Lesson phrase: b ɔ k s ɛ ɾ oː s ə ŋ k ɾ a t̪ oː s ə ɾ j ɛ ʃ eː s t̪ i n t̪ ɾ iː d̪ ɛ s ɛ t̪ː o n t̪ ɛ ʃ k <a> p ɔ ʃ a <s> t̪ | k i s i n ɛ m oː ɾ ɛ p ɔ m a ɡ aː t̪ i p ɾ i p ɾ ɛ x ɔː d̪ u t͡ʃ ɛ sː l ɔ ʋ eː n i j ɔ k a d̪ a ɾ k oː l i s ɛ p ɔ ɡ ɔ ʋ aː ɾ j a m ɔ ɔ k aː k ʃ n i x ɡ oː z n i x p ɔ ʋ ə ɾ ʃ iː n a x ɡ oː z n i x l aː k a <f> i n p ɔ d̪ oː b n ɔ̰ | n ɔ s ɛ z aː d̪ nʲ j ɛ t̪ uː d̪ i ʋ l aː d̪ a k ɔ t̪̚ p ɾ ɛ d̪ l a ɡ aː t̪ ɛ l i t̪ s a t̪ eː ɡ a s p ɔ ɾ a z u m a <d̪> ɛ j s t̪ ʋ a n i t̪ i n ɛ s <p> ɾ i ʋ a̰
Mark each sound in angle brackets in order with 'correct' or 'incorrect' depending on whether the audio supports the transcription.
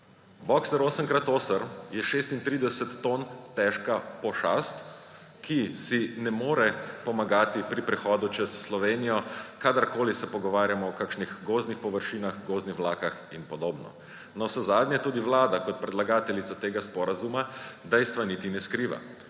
correct, correct, incorrect: x, correct, incorrect: k

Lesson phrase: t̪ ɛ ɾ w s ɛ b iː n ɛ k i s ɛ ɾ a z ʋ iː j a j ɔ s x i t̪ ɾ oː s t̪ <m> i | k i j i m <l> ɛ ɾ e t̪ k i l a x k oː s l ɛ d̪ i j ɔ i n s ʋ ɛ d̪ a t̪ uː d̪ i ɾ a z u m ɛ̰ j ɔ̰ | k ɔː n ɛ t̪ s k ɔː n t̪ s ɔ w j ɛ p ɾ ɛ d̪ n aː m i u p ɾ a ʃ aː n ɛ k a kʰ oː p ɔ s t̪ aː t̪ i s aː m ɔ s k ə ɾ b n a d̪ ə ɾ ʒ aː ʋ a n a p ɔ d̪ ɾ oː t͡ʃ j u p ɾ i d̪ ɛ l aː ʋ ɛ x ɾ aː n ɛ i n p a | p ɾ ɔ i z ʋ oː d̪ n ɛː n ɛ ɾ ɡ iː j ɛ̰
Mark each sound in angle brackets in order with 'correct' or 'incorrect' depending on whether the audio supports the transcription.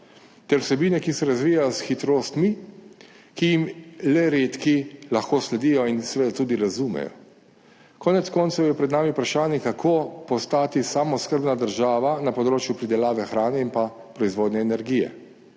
correct, correct

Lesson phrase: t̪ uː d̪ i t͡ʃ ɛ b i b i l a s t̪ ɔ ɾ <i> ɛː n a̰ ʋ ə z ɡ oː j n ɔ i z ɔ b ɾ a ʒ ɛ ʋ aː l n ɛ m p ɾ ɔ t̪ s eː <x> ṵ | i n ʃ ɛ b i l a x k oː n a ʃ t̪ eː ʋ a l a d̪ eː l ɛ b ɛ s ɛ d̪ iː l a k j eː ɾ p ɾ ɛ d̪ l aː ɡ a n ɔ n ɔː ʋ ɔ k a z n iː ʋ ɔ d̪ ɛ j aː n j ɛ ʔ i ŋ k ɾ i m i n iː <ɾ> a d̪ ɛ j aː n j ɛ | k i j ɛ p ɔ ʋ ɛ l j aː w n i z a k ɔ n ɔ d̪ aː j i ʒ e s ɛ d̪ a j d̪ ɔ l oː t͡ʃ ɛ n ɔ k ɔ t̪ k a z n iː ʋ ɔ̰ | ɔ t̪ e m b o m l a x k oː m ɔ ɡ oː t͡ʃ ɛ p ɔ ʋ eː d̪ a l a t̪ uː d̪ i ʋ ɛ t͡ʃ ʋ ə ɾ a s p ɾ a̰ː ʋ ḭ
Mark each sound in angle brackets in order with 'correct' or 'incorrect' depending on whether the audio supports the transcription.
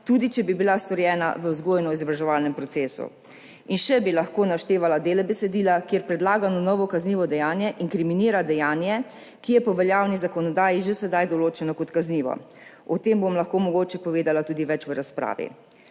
incorrect: j, incorrect: s, correct

